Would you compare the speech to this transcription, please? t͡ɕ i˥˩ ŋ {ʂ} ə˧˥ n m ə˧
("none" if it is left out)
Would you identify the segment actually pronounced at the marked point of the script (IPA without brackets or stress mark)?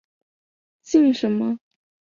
ʂ